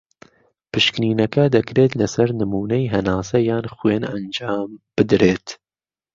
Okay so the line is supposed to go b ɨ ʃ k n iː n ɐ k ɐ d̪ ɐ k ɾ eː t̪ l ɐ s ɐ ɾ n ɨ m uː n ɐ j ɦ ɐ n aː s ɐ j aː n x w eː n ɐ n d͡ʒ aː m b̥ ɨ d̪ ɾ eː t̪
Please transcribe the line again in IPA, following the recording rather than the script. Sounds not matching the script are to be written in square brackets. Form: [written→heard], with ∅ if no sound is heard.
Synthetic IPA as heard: [b→p] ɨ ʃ k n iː n ɐ k ɐ d̪ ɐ k ɾ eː t̪ l ɐ s ɐ ɾ n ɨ m uː n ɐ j ɦ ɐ n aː s ɐ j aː n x w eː n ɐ n d͡ʒ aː m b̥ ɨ d̪ ɾ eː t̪